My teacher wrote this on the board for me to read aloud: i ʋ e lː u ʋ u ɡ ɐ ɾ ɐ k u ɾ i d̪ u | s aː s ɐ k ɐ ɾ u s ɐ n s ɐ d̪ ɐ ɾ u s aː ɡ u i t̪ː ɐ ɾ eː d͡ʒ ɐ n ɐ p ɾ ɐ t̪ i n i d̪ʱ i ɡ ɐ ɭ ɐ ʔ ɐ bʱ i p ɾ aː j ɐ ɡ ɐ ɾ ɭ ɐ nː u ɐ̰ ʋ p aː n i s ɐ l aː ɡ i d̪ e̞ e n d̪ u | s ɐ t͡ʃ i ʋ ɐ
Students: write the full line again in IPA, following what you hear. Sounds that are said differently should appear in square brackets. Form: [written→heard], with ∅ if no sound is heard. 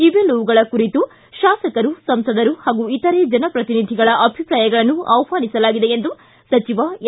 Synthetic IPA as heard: i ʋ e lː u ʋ u ɡ ɐ [ɾ→ɭ] ɐ k u ɾ i [d̪→t̪] u | [s→ʃ] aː s ɐ k ɐ ɾ u s ɐ [n→m] s ɐ d̪ ɐ ɾ u [s→h] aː ɡ u i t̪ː ɐ ɾ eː d͡ʒ ɐ n ɐ p ɾ ɐ t̪ i n i d̪ʱ i ɡ ɐ ɭ ɐ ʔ ɐ bʱ i p ɾ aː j ɐ ɡ ɐ [ɾ→∅] ɭ ɐ nː u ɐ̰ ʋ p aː n i s ɐ l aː ɡ i d̪ e̞ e n d̪ u | s ɐ t͡ʃ i ʋ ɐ

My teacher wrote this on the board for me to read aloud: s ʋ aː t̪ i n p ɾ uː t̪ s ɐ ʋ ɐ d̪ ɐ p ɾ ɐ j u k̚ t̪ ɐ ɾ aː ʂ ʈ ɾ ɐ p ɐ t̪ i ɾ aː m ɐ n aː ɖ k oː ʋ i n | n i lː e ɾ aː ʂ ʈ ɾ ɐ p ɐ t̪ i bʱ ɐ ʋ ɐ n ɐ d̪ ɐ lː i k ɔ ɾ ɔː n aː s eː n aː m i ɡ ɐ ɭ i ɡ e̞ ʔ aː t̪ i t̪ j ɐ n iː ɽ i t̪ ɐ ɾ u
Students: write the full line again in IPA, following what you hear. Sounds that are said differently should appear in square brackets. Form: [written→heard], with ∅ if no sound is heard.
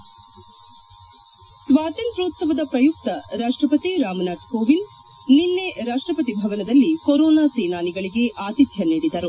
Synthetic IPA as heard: s ʋ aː t̪ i n p ɾ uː t̪ s ɐ ʋ ɐ d̪ ɐ p ɾ ɐ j u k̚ t̪ ɐ ɾ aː ʂ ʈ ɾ ɐ p ɐ t̪ i ɾ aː m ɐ n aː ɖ k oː ʋ i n | n i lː e ɾ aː ʂ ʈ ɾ ɐ p ɐ t̪ i bʱ ɐ ʋ ɐ n ɐ d̪ ɐ lː i k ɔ ɾ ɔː n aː s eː n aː [m→n] i ɡ ɐ ɭ i ɡ e̞ ʔ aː t̪ i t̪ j ɐ n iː ɽ i [t̪→d̪] ɐ ɾ u

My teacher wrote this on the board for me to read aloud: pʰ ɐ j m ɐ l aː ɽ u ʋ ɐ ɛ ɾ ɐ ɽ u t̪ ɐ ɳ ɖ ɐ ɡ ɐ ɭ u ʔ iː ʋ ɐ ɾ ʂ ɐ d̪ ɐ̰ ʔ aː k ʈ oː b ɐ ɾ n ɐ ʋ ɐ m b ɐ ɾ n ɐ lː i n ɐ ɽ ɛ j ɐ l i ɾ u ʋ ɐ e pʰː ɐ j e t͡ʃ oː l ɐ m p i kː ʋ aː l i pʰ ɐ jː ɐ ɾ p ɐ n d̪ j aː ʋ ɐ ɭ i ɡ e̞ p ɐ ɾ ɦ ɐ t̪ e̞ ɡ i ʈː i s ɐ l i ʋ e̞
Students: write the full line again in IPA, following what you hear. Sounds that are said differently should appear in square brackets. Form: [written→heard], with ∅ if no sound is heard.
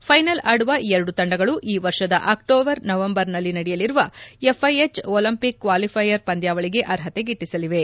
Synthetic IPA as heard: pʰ ɐ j [m→n] ɐ l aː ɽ u ʋ ɐ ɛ ɾ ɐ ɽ u t̪ ɐ ɳ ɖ ɐ ɡ ɐ ɭ u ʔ iː ʋ ɐ ɾ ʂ ɐ d̪ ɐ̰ ʔ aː k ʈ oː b ɐ ɾ n ɐ ʋ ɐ m b ɐ ɾ n ɐ lː i n ɐ ɽ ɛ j ɐ l i ɾ u ʋ ɐ e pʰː ɐ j e t͡ʃ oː l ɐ m p i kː ʋ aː l i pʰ ɐ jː ɐ ɾ p ɐ n d̪ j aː ʋ ɐ ɭ i ɡ e̞ [p→ʔ] ɐ ɾ ɦ ɐ t̪ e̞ ɡ i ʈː i s ɐ l i ʋ e̞

